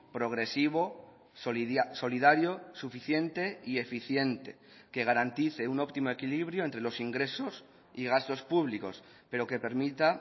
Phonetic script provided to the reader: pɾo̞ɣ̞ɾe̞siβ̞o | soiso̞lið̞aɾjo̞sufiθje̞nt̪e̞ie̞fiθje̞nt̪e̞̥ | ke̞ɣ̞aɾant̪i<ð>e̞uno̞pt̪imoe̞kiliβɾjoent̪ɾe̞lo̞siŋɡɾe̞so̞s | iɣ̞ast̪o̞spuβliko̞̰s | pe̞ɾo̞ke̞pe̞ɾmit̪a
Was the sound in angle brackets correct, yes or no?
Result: no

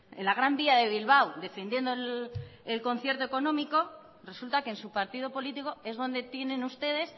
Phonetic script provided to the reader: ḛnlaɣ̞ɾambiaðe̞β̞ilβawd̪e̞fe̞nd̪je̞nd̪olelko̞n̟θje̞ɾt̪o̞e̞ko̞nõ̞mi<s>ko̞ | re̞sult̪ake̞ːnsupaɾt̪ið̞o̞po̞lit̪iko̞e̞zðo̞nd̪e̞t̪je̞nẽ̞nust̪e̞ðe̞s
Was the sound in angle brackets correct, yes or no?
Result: no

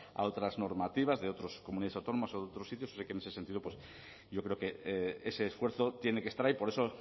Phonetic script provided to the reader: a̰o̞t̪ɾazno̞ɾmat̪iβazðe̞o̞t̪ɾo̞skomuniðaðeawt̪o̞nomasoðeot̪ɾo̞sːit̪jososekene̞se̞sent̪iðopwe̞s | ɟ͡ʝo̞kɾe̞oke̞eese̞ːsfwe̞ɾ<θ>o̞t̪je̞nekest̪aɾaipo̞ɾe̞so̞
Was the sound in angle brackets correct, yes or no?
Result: yes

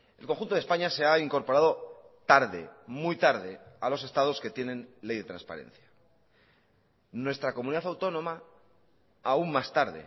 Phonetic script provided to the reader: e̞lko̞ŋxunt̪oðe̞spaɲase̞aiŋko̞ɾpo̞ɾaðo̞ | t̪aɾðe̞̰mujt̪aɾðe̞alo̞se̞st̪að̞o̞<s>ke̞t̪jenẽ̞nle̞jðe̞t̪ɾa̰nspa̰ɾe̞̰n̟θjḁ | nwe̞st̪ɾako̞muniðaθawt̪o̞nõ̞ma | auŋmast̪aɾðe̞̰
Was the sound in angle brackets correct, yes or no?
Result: yes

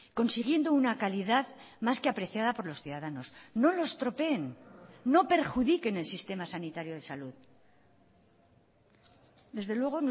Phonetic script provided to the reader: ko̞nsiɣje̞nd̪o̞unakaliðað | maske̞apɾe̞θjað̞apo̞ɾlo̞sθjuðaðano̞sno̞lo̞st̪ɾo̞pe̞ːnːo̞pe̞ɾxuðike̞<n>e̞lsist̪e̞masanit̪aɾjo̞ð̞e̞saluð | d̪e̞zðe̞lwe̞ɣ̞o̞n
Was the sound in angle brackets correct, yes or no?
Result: yes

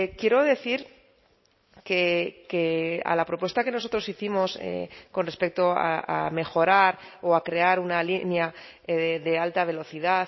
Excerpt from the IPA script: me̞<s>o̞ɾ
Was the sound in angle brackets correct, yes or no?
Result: no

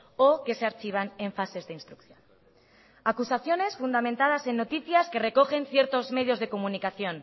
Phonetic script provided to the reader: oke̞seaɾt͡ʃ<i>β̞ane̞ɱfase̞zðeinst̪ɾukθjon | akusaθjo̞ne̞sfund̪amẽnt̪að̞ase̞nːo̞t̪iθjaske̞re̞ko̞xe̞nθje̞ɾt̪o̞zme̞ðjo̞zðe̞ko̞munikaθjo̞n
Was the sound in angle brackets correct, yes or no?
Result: yes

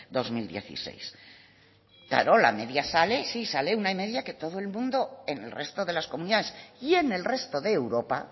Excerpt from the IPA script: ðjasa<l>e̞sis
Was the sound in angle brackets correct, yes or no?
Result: yes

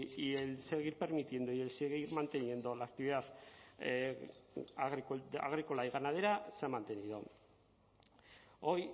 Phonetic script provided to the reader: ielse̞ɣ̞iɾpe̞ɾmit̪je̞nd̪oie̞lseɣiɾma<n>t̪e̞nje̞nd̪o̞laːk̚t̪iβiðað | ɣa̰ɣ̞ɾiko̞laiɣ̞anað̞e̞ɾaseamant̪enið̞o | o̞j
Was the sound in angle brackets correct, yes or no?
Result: yes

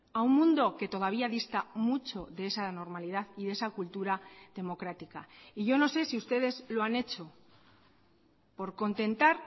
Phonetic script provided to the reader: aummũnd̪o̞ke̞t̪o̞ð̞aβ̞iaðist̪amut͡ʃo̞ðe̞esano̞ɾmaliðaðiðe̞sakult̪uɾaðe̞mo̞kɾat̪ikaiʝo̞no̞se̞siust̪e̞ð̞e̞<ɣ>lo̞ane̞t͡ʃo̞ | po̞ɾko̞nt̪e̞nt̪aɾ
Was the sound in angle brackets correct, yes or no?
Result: no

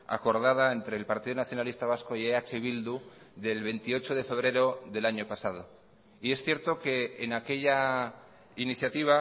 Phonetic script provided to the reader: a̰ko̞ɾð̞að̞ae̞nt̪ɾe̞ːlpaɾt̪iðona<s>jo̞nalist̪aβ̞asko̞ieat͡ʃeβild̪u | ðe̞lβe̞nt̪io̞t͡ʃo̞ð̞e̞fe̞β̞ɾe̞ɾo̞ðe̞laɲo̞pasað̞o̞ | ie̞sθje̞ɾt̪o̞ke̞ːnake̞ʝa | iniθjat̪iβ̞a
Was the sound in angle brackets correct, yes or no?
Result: no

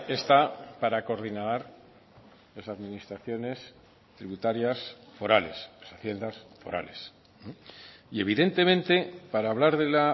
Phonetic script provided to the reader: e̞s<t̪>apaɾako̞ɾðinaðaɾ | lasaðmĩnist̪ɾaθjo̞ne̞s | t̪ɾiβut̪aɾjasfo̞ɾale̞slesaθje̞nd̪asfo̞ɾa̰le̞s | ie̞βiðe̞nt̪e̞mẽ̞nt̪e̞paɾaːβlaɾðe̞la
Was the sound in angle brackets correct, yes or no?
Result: yes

